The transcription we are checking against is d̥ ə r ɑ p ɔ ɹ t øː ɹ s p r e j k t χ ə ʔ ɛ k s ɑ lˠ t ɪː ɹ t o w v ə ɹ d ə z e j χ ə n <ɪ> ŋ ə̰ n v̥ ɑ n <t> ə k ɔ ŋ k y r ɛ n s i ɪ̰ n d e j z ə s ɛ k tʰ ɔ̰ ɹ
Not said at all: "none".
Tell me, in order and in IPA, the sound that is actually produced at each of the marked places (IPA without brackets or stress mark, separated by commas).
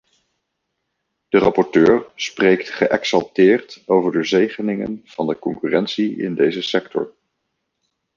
ɪ, d